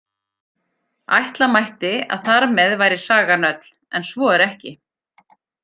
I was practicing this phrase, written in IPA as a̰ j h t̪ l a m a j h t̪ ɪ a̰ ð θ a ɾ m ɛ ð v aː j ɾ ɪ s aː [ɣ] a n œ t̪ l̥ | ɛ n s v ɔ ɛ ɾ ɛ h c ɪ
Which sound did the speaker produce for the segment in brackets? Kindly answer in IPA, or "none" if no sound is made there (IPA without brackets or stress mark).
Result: ɣ